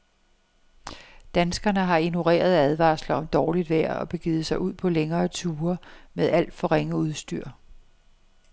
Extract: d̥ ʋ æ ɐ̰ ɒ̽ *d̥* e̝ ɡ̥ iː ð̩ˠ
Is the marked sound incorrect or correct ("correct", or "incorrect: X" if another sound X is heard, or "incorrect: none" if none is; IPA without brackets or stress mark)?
incorrect: b̥